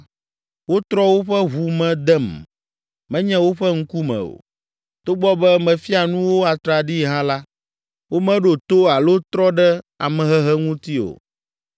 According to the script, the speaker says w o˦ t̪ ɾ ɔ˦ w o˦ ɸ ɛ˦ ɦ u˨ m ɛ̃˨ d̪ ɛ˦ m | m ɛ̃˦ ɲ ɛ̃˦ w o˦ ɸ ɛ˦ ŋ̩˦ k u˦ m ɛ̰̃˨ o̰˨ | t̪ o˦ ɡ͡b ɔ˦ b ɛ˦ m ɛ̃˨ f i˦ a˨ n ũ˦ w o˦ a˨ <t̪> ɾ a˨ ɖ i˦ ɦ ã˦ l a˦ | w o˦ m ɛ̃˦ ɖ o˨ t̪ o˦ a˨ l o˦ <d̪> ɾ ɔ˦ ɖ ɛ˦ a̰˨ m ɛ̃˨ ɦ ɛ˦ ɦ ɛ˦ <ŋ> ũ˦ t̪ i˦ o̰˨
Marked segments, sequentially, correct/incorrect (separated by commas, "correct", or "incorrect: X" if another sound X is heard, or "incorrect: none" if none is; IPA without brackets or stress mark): correct, incorrect: t̪, correct